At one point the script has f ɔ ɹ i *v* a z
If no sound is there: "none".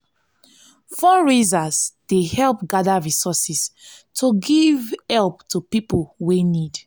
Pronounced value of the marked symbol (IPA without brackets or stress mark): z